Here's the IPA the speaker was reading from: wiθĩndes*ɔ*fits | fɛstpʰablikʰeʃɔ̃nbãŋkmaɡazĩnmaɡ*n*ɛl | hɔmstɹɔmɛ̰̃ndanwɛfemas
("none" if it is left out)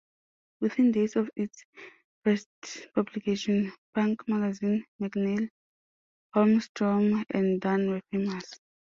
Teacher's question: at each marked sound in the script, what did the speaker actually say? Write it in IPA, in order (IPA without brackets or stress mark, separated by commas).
ɔ, n